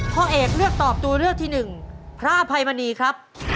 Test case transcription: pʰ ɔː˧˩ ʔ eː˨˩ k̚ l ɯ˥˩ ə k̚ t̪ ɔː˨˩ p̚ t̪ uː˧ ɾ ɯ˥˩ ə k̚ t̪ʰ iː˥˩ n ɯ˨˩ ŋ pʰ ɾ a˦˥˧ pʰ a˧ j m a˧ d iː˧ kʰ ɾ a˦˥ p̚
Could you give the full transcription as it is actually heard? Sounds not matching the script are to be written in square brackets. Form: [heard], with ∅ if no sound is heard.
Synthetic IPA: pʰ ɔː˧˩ ʔ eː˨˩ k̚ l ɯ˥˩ ə k̚ t̪ ɔː˨˩ p̚ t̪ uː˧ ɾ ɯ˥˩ ə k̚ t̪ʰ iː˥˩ n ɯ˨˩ ŋ pʰ ɾ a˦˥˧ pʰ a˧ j m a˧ [n] iː˧ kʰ ɾ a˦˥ p̚